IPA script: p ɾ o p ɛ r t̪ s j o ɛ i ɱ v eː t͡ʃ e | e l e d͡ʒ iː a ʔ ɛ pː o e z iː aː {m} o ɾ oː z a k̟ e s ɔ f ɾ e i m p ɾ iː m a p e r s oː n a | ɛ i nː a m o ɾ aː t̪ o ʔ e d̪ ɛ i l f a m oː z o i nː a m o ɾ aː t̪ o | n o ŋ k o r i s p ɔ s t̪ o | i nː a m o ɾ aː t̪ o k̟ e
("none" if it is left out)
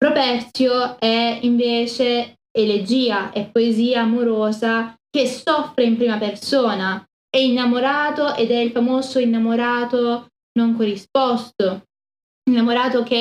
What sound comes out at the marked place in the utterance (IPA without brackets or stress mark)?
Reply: m